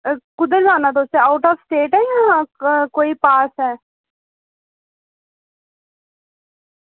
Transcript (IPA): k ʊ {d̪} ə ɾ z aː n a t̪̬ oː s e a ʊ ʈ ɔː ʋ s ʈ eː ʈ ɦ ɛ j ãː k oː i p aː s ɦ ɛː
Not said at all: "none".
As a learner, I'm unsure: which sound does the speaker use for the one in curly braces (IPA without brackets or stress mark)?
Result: d̪